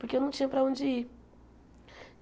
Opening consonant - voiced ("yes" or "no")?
no